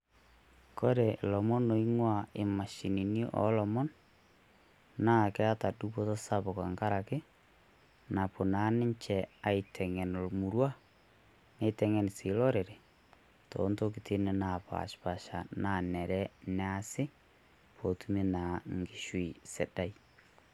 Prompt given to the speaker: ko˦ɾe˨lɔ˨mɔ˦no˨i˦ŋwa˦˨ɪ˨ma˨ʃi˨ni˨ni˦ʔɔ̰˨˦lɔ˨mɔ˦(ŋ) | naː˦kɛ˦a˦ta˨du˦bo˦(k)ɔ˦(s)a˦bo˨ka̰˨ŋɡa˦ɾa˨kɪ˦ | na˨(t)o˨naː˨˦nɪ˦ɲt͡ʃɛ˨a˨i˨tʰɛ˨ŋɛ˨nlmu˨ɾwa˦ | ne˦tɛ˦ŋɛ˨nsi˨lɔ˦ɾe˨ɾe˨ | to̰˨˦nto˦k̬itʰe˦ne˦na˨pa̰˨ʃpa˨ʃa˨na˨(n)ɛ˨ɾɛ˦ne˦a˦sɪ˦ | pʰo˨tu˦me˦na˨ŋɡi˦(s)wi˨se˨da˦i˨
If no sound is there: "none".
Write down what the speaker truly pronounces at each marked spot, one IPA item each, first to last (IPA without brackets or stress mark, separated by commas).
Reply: n, t, s, p, n, ʃ